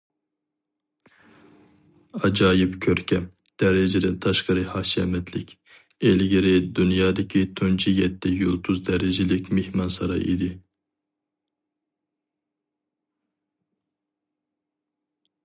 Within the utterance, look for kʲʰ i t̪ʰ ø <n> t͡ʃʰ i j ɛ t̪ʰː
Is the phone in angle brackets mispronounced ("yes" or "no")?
no